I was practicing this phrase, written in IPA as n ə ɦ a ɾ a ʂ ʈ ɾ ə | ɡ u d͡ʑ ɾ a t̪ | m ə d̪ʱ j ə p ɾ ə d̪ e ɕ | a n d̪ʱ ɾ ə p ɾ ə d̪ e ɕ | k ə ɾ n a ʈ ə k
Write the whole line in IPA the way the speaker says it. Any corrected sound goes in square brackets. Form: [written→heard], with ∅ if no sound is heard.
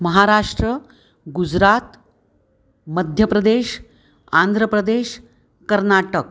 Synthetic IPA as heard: [n→m] ə ɦ a ɾ a ʂ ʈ ɾ ə | ɡ u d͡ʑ ɾ a t̪ | m ə d̪ʱ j ə p ɾ ə d̪ e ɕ | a n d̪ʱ ɾ ə p ɾ ə d̪ e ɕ | k ə ɾ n a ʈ ə k